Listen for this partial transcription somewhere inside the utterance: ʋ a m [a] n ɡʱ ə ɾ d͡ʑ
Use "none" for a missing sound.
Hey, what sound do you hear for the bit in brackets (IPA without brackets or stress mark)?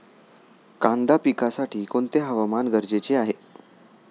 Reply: a